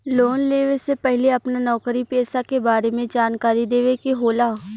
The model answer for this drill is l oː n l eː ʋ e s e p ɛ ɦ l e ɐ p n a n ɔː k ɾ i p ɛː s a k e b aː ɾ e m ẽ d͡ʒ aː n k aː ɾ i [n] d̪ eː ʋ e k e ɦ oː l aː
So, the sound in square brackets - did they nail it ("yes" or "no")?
no